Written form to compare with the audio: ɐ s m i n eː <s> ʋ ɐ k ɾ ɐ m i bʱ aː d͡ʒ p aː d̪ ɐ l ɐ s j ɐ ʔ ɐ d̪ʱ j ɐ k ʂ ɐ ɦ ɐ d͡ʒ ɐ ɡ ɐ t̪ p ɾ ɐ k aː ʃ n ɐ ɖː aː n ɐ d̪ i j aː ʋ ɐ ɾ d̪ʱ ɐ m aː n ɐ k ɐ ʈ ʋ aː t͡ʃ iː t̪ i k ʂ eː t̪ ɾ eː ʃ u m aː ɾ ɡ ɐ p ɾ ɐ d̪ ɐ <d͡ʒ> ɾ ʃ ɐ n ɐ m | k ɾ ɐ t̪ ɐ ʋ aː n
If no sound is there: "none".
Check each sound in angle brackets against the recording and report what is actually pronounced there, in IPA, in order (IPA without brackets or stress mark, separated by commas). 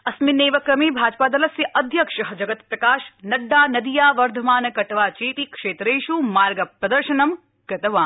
none, none